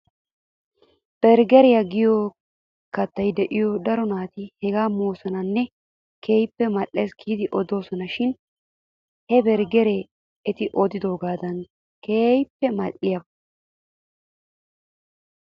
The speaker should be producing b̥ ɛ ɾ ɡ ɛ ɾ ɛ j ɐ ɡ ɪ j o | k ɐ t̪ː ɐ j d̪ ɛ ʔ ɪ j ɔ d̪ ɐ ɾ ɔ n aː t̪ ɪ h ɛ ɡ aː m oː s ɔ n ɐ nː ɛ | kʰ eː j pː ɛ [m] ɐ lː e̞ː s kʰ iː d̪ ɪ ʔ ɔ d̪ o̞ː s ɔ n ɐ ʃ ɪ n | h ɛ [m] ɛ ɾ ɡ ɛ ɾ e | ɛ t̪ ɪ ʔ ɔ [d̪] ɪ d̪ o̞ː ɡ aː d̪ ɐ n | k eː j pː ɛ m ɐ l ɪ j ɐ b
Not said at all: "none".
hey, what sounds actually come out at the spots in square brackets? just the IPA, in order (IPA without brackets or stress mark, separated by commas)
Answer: m, b, d̪